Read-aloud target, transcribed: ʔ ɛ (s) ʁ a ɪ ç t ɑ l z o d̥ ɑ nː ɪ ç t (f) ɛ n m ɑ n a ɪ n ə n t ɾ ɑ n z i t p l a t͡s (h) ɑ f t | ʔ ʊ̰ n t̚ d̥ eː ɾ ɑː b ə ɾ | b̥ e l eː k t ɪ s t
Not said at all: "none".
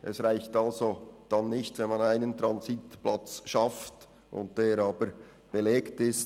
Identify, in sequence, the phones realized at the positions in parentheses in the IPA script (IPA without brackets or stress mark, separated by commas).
s, v, ʃ